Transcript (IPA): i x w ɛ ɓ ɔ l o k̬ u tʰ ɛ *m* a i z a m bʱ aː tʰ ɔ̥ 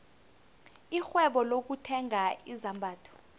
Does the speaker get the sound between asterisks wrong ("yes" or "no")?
yes